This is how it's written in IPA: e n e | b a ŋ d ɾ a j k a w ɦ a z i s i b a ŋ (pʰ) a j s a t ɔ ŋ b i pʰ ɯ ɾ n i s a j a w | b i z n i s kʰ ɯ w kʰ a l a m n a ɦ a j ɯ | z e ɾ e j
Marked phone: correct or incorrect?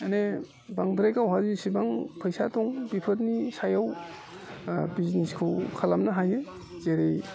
correct